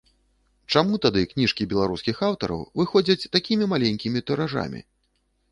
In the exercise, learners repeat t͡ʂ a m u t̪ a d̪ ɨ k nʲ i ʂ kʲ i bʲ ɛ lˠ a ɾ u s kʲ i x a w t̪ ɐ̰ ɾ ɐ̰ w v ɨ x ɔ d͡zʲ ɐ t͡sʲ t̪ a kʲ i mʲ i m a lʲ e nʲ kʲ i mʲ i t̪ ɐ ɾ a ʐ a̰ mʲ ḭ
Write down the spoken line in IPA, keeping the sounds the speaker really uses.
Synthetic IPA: t͡ʂ a m u t̪ a d̪ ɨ k nʲ i ʂ kʲ i bʲ ɛ lˠ a ɾ u s kʲ i x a w t̪ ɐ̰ ɾ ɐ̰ w v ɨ x ɔ d͡zʲ ɐ t͡sʲ t̪ a kʲ i mʲ i m a lʲ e nʲ kʲ i mʲ i t̪ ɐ ɾ a ʐ a̰ mʲ ḭ